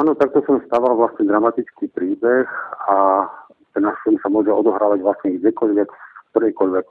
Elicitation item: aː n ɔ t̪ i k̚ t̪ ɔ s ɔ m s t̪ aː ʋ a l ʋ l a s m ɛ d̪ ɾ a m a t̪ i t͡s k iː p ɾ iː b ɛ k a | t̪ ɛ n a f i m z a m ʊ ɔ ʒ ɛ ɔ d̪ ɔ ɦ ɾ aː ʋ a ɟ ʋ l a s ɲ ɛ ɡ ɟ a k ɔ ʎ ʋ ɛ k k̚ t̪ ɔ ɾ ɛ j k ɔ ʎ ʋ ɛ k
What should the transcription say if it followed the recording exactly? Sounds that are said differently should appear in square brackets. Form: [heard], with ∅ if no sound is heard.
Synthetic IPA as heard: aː n ɔ t̪ [a] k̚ t̪ ɔ s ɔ m s t̪ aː ʋ a l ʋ l a s [ɲ] ɛ d̪ ɾ a m a t̪ i t͡s k iː p ɾ iː b ɛ [x] a | t̪ ɛ n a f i m [s] a m ʊ ɔ ʒ ɛ ɔ d̪ ɔ ɦ ɾ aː ʋ a ɟ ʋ l a s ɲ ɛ ɡ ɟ [ɛ] k ɔ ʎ ʋ ɛ k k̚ t̪ ɔ ɾ ɛ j k ɔ ʎ ʋ ɛ k